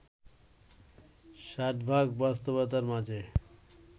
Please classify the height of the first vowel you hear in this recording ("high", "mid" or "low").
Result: low